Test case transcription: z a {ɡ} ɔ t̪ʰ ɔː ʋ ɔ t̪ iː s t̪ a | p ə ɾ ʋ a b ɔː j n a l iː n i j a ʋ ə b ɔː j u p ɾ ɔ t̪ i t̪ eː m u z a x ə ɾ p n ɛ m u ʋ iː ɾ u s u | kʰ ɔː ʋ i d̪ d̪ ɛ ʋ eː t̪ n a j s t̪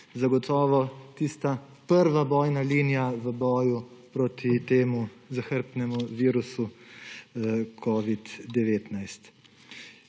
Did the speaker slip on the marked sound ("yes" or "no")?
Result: no